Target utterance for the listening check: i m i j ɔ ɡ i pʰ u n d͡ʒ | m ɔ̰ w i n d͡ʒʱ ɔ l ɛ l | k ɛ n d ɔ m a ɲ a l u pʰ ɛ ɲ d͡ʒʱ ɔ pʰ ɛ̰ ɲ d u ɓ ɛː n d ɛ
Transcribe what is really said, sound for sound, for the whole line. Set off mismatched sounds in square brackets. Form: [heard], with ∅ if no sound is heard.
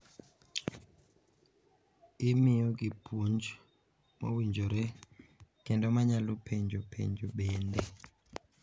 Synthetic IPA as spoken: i m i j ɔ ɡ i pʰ u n d͡ʒ | m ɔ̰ w i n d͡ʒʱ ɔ [ɾ] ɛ [∅] | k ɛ n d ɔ m a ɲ a l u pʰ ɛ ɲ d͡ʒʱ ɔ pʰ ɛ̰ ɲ [d͡ʒ] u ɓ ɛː n d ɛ